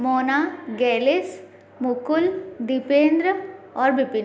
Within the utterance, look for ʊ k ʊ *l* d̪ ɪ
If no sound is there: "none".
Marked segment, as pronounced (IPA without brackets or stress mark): l